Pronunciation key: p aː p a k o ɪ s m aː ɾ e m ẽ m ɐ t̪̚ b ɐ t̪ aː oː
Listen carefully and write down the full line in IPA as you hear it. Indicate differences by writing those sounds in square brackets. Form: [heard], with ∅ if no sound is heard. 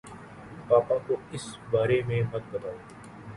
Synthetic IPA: p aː p a k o ɪ s [b] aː ɾ e m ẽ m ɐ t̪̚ b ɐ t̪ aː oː